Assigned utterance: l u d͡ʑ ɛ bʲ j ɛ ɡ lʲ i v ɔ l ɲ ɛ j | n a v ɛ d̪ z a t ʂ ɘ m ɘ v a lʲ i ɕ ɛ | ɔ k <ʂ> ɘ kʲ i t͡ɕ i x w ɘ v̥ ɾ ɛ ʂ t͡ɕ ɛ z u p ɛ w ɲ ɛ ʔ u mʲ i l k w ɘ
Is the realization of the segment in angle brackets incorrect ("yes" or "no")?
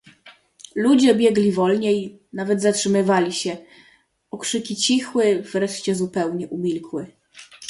no